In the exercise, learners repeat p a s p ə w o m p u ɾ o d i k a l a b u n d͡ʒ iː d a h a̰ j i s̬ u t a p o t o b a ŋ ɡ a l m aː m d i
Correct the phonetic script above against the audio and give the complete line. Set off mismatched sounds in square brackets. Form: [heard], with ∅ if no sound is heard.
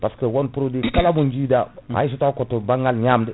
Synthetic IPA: p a s [k] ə w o [n] p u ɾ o d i k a l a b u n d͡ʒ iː d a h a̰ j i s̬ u t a [k] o t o b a ŋ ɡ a l [ɲ] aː m d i